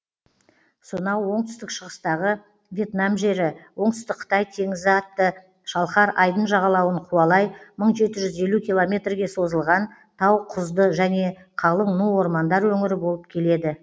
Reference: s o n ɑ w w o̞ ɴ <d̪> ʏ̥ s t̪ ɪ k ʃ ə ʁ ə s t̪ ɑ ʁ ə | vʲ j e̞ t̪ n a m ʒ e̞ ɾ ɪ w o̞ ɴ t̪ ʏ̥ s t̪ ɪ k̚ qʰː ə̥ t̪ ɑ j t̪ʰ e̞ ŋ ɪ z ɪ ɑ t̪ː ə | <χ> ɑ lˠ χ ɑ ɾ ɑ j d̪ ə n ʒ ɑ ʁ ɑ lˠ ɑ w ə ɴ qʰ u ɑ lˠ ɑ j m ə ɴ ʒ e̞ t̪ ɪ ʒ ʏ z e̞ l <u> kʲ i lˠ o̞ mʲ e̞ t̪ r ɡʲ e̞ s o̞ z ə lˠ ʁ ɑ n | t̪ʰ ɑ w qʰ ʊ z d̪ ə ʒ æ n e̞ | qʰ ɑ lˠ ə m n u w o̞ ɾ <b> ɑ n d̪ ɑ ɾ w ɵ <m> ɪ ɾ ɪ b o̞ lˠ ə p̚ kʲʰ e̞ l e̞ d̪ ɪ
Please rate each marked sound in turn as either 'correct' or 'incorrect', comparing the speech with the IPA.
incorrect: t̪, incorrect: ʃ, correct, incorrect: m, incorrect: ŋ

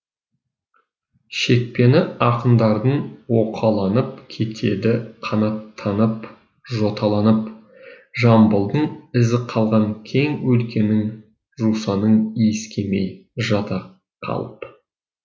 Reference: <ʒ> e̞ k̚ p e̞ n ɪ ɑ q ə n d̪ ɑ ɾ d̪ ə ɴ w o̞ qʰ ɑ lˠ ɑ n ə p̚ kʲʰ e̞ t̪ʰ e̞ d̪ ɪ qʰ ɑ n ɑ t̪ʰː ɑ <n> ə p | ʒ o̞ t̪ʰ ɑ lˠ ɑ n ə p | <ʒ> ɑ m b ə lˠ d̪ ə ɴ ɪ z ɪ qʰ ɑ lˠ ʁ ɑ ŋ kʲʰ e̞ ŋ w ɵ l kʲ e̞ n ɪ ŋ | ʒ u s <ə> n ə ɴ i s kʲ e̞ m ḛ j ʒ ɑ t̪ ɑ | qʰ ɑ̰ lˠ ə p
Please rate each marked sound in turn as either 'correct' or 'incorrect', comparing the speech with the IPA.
incorrect: ʃ, correct, correct, incorrect: ɑ

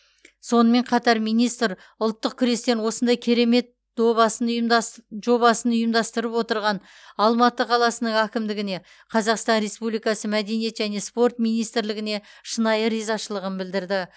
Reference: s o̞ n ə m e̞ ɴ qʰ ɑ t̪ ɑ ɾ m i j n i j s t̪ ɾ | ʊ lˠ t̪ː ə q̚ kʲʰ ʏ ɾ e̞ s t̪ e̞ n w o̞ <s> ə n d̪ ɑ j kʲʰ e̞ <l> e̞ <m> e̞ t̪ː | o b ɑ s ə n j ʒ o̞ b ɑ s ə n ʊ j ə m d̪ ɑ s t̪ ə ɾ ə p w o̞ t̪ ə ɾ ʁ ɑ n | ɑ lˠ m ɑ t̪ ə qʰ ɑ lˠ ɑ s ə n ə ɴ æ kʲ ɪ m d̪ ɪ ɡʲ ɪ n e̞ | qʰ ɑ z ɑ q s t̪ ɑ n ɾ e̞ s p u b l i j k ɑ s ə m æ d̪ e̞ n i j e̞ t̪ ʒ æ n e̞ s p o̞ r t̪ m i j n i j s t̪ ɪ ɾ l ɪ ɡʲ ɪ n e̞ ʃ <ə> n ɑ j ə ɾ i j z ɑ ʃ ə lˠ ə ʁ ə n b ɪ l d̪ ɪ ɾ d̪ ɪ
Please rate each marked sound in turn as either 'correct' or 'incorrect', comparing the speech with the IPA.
correct, incorrect: ɾ, correct, correct

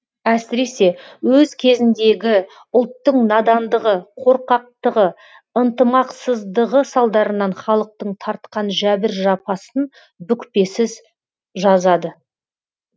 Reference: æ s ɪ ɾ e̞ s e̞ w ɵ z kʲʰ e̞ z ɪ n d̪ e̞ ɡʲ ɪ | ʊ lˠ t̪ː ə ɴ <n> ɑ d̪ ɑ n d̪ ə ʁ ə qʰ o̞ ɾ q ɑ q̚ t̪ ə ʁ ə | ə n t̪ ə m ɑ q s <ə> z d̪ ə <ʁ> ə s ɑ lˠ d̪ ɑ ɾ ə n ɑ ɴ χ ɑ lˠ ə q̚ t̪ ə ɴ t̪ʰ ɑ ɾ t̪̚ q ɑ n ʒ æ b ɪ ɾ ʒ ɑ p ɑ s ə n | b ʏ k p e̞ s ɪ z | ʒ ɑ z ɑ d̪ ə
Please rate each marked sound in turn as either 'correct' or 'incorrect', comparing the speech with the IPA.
correct, correct, correct

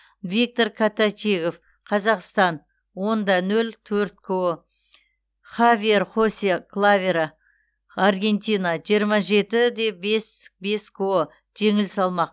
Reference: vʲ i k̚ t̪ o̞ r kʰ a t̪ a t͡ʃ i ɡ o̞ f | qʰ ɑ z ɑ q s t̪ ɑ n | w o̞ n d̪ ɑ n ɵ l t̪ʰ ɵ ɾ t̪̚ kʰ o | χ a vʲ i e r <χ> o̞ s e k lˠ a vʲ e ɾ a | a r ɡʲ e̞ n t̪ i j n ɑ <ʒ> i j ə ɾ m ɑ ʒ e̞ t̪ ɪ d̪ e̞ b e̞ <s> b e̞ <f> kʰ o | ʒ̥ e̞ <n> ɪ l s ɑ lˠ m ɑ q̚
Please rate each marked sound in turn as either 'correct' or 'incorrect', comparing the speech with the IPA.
correct, correct, correct, incorrect: s, incorrect: ŋ

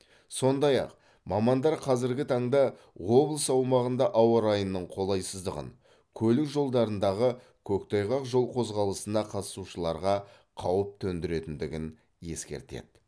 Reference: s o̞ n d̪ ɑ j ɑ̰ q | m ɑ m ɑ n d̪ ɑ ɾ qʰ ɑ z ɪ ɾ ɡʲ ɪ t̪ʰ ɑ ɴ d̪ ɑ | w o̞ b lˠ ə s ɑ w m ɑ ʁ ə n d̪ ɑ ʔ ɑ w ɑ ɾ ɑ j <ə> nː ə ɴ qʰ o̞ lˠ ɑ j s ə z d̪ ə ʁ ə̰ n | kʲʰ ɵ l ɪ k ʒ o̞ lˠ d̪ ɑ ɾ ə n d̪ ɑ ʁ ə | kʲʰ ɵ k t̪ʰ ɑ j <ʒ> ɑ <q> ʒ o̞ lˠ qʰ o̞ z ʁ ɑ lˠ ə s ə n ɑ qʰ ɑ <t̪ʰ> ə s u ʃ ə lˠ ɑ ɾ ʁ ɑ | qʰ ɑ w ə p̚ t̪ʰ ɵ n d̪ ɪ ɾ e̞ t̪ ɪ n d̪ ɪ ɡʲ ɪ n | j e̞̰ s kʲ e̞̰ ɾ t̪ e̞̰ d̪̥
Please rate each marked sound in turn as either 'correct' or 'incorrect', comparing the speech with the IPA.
correct, incorrect: ʁ, correct, incorrect: t̪

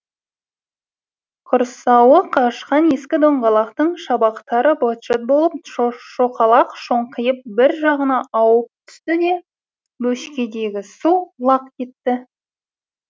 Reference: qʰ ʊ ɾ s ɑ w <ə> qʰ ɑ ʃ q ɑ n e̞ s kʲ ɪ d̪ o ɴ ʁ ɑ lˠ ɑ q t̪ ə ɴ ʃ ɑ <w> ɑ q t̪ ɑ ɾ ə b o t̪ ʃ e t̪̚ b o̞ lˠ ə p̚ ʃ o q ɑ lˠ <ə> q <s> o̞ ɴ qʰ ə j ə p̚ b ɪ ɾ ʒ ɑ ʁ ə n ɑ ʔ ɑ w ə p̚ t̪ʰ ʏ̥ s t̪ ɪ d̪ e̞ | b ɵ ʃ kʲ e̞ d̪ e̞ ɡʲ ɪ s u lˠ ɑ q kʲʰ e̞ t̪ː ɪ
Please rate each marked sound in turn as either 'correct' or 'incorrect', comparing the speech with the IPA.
correct, incorrect: b, incorrect: ɑ, incorrect: ʃ

